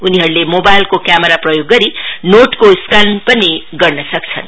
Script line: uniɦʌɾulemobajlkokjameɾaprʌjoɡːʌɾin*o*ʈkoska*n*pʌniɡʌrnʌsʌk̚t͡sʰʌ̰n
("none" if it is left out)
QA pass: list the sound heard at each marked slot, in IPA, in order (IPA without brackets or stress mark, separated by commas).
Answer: o, n